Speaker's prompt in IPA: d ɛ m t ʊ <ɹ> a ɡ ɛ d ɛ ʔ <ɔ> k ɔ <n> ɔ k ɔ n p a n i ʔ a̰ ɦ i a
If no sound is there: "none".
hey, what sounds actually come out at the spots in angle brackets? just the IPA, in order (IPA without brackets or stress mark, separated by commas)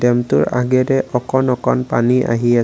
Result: ɹ, ɔ, n